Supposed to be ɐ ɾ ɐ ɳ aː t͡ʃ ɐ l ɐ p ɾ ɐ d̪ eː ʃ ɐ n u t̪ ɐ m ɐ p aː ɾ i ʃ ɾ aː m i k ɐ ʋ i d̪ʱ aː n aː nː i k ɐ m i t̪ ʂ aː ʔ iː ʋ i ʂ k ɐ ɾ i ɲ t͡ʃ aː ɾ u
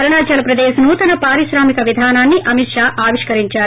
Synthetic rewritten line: ɐ ɾ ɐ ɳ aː t͡ʃ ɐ l ɐ p ɾ ɐ d̪ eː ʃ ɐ n u t̪ ɐ n ɐ p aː ɾ i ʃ ɾ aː m i k ɐ ʋ i d̪ʱ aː n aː nː i ʔ ɐ m i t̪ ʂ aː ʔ aː ʋ i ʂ k ɐ ɾ i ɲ t͡ʃ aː ɾ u